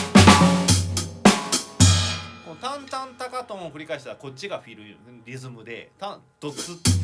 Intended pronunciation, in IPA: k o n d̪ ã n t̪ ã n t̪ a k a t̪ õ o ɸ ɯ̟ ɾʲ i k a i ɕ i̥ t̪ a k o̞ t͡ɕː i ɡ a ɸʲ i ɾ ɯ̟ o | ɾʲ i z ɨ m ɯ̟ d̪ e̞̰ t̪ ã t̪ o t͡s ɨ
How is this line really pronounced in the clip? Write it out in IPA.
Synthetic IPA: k o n t̪ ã n t̪ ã n t̪ a k a t̪ õ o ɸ ɯ̟ ɾʲ i k a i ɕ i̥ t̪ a k o̞ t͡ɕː i ɡ a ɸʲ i ɾ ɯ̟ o | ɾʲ i z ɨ m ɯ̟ d̪ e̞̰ t̪ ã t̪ o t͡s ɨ